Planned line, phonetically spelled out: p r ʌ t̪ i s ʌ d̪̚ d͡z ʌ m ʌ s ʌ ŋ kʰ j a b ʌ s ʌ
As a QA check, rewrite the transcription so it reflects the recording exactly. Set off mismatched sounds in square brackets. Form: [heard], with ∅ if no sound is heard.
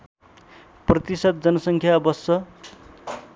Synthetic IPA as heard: p r ʌ t̪ i s ʌ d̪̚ d͡z ʌ [n] ʌ s ʌ ŋ kʰ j a b ʌ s ʌ

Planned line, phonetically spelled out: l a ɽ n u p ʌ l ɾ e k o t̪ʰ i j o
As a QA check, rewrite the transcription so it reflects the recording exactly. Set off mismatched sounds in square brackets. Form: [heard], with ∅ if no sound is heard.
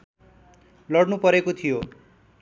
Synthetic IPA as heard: l [ʌ] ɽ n u p ʌ [∅] ɾ e k o t̪ʰ i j o

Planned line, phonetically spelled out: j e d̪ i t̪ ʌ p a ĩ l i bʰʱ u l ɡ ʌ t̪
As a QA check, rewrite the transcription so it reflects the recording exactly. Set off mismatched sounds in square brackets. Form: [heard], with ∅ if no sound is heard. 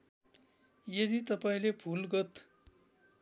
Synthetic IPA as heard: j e d̪ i t̪ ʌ p a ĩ l [e] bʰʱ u l ɡ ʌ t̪

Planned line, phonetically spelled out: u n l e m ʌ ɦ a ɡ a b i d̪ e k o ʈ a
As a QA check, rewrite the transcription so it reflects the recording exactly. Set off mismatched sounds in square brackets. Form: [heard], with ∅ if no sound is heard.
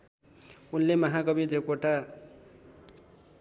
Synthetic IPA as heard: u n l e m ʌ ɦ a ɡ [ʌ] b i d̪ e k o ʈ a

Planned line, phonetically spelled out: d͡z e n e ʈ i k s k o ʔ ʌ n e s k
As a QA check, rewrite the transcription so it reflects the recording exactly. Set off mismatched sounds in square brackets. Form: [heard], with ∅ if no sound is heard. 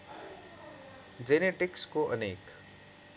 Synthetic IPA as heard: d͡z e n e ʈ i k s k o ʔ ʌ n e [∅] k

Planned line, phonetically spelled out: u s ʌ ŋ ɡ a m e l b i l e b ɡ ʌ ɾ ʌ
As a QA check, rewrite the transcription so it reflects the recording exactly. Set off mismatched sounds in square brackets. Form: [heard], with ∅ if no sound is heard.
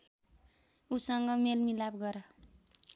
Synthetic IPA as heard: u s ʌ ŋ ɡ [ʌ] m e l [m] i l [a] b ɡ ʌ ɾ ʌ

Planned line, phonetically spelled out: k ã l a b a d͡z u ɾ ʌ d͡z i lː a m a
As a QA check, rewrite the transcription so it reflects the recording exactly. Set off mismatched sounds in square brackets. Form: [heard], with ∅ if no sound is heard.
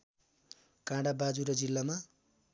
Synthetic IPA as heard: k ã [ɽ] a b a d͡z u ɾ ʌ d͡z i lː a m a

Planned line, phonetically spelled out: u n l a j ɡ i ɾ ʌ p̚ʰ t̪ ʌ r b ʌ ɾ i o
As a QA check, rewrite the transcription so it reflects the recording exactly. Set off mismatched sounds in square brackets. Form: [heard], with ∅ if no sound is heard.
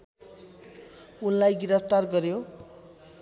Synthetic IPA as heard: u n l a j ɡ i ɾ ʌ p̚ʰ t̪ [a] r [ɡ] ʌ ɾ [j] o

